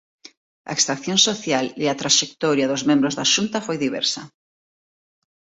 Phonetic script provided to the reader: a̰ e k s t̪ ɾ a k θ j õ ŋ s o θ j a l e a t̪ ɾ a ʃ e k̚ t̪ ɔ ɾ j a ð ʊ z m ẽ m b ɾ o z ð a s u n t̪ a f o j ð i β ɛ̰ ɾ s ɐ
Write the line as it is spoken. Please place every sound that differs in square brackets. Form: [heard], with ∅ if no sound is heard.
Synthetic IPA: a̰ e k s t̪ ɾ a k θ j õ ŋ s o θ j a l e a t̪ ɾ a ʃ e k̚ t̪ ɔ ɾ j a ð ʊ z m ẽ m b ɾ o z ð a [ʃ] u n t̪ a f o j ð i β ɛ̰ ɾ s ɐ